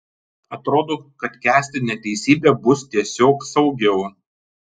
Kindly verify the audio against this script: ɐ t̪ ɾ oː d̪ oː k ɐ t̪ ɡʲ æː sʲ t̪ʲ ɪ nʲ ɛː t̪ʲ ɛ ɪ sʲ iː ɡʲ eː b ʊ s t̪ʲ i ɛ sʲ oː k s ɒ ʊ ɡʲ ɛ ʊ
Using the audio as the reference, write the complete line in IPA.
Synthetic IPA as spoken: ɐ t̪ ɾ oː d̪ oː k ɐ t̪ kʲ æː sʲ t̪ʲ ɪ nʲ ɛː t̪ʲ ɛ ɪ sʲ iː bʲ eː b ʊ s t̪ʲ i ɛ sʲ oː k s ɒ ʊ ɡʲ ɛ ʊ